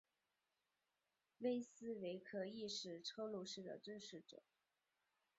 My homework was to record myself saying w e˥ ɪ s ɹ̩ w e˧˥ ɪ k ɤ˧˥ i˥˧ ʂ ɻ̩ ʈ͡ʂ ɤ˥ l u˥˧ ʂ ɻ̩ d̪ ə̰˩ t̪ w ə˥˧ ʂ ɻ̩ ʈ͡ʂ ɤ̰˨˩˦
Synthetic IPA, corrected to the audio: w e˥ ɪ s ɹ̩ w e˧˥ ɪ kʰ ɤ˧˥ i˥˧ ʂ ɻ̩ ʈ͡ʂʰ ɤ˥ l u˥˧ ʂ ɻ̩ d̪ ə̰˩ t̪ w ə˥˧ ʂ ɻ̩ ʈ͡ʂ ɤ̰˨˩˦